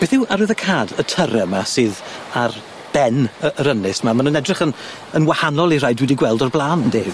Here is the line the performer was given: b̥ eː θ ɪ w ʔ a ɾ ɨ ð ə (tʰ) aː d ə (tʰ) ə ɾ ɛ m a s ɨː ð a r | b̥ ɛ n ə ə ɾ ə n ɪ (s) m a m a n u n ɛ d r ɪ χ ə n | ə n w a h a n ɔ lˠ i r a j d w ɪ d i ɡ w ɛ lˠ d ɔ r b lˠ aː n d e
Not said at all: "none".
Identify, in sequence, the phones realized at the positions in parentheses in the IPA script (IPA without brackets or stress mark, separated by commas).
kʰ, tʰ, s